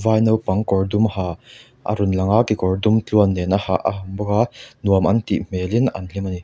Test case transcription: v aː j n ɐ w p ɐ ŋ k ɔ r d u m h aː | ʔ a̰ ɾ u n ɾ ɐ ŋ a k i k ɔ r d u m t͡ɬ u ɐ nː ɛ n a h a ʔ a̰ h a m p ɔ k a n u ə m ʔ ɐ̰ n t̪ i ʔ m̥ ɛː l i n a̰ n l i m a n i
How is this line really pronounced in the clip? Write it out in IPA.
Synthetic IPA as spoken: v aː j n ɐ w p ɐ ŋ k ɔ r d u m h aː | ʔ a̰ ɾ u n l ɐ ŋ a k i k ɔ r d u m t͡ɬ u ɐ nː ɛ n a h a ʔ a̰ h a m b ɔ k a n u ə m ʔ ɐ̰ n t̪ i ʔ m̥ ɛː l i n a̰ n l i m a n i